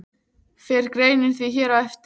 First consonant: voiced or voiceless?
voiceless